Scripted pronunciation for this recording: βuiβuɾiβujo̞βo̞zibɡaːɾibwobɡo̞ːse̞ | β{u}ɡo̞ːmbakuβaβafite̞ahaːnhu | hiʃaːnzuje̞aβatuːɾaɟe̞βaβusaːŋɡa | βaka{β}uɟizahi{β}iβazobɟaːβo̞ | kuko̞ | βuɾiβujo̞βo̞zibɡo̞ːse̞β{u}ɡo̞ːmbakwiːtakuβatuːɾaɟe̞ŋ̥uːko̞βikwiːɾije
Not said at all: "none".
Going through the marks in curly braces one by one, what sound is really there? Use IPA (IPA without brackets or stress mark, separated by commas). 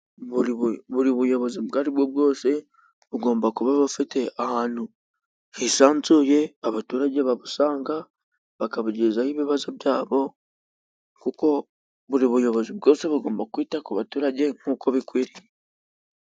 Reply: u, β, β, u